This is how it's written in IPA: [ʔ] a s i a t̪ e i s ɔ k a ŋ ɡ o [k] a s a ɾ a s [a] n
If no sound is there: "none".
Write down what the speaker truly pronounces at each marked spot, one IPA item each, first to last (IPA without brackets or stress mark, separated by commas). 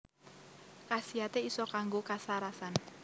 k, k, a